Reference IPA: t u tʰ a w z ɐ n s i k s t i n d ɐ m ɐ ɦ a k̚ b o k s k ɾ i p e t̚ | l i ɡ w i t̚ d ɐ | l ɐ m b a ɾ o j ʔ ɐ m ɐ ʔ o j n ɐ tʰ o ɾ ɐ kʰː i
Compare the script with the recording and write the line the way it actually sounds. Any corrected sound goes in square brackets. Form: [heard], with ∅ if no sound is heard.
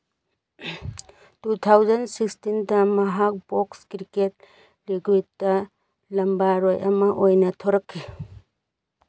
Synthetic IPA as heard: t u tʰ a w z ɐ n s i k s t i n d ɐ m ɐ ɦ a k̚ b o k s k ɾ i [k] e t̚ | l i ɡ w i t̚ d ɐ | l ɐ m b a ɾ o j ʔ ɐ m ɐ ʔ o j n ɐ tʰ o ɾ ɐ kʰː i

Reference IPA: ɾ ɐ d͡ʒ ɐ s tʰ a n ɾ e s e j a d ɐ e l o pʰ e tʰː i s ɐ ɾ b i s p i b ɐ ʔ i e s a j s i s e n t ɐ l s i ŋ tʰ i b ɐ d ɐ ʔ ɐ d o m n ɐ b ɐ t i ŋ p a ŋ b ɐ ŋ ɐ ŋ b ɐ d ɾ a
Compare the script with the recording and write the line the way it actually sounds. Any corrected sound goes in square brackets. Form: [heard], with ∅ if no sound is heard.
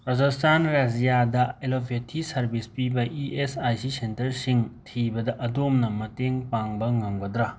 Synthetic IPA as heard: ɾ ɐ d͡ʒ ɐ s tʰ a n ɾ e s [i] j a d ɐ e l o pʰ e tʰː i s ɐ ɾ b i s p i b ɐ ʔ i e s a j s i s e n t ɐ [ɾ] s i ŋ tʰ i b ɐ d ɐ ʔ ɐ d o m n ɐ [m] ɐ t [e] ŋ p a ŋ b ɐ ŋ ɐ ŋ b ɐ d ɾ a

